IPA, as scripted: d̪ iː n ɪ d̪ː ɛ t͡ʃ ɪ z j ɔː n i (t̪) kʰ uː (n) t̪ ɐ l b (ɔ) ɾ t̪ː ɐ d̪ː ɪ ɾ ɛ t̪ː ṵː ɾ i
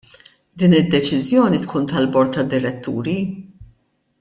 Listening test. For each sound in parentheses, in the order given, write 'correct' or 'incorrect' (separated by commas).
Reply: correct, correct, correct